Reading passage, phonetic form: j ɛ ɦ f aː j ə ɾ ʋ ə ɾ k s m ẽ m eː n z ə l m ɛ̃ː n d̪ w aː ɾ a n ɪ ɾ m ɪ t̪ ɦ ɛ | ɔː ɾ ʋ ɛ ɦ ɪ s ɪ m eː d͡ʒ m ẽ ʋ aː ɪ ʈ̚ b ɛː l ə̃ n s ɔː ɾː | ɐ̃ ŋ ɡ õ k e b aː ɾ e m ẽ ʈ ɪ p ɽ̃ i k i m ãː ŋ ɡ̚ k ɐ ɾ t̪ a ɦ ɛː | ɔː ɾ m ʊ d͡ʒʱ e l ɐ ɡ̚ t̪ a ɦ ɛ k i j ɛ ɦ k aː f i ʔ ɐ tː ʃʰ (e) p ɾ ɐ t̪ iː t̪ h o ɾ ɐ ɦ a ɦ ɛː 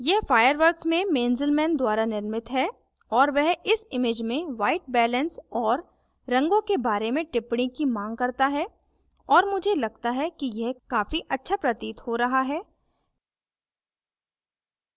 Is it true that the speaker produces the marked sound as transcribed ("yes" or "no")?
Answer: no